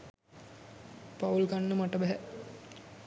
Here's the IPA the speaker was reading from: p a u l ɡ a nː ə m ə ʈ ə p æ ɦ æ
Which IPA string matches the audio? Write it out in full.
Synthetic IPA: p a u l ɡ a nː ə m a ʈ ə b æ ɦ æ